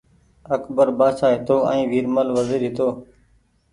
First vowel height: mid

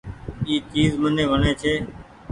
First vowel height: high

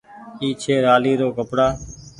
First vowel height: high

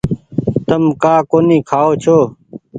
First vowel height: mid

